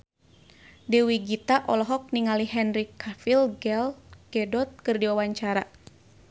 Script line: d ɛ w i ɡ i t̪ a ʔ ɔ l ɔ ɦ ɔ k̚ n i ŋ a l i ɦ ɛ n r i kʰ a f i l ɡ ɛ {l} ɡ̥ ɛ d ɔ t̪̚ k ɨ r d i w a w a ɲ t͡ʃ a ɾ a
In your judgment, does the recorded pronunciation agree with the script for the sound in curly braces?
yes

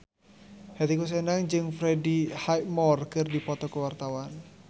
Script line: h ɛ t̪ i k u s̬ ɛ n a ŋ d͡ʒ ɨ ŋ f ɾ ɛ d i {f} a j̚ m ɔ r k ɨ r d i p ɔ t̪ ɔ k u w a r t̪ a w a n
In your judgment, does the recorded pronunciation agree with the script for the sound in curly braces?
no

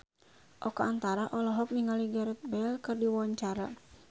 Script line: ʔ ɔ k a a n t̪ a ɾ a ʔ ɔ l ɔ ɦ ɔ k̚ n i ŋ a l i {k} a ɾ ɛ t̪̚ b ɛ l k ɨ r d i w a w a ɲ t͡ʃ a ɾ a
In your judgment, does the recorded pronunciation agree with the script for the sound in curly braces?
no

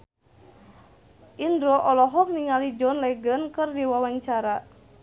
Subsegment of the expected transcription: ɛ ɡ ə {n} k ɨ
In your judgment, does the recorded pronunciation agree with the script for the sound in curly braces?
yes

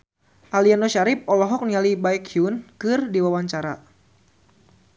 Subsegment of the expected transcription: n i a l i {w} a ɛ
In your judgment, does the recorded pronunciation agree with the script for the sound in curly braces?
no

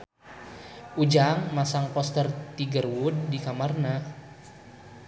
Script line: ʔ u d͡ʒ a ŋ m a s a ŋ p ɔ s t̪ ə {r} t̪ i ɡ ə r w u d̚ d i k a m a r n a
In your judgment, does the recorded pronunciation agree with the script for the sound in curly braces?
yes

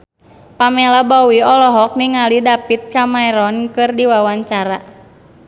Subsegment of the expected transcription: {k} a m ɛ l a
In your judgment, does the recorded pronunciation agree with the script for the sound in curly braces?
no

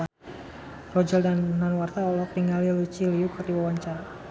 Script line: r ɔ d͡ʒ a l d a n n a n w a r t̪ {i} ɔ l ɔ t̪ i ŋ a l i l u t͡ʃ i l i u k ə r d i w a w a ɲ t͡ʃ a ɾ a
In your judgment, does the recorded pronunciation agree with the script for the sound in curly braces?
no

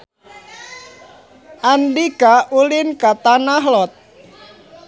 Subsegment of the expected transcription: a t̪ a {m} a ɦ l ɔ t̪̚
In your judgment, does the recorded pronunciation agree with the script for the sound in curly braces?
no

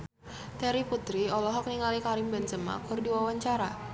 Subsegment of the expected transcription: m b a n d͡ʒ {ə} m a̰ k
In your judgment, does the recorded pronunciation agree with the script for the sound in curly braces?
yes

